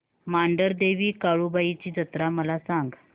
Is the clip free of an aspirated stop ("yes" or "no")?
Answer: yes